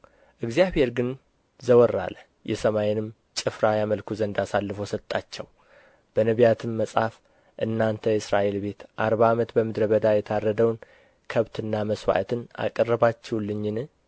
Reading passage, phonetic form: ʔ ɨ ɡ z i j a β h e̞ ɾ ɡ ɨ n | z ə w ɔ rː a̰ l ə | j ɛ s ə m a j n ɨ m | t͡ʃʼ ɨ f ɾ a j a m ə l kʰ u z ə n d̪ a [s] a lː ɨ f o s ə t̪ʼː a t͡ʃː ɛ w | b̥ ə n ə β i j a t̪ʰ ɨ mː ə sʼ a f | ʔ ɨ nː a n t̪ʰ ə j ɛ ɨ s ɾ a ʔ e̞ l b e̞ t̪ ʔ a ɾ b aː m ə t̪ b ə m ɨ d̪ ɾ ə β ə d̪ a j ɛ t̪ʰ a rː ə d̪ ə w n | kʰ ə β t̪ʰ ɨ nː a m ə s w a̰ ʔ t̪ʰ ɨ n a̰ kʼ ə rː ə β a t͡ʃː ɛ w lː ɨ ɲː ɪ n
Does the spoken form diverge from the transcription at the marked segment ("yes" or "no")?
no